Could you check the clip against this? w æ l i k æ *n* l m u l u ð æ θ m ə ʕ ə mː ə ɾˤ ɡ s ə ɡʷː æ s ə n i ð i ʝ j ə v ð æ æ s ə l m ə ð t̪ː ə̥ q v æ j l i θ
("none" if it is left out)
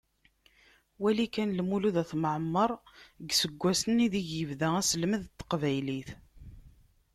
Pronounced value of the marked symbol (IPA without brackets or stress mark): n